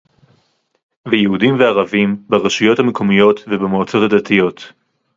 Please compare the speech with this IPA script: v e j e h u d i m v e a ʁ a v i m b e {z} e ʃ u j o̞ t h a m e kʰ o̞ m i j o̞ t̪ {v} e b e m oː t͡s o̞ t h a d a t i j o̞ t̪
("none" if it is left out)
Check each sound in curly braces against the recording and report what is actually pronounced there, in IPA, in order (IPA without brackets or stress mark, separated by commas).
ʁ, v